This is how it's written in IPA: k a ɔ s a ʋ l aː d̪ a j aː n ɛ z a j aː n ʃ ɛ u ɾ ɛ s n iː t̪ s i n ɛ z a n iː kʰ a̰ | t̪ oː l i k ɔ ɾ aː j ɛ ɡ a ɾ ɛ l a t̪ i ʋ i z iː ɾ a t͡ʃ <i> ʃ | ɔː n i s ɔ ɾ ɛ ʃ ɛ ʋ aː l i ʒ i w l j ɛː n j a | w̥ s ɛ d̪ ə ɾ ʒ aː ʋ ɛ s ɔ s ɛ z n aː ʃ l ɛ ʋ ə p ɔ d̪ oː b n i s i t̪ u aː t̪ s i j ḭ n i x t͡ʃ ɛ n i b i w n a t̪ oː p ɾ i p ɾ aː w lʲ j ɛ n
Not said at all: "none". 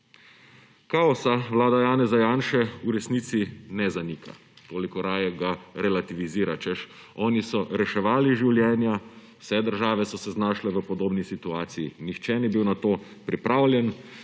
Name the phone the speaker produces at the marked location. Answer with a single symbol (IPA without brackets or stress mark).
ɛ